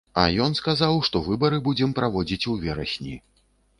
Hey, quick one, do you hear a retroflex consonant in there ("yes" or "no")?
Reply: yes